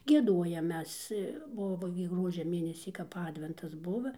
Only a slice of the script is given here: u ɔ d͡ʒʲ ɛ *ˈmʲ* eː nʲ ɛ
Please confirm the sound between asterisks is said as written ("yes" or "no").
yes